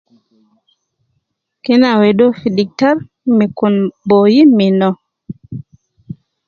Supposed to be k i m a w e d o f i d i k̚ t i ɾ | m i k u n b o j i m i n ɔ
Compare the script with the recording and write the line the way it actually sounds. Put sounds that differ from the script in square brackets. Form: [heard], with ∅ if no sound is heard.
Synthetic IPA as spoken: k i [n] a w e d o f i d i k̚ t [a] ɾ | m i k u n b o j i m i n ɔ